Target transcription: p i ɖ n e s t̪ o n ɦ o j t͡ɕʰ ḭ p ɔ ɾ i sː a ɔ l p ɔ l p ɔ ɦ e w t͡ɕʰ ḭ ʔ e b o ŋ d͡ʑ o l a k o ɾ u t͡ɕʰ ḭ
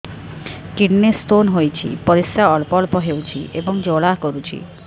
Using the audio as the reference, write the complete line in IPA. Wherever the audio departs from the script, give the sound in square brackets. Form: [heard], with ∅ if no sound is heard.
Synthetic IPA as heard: [k] i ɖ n e s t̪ o n ɦ o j t͡ɕʰ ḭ p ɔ ɾ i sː a ɔ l p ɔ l p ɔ ɦ e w t͡ɕʰ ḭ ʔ e b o ŋ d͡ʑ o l a k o ɾ u t͡ɕʰ ḭ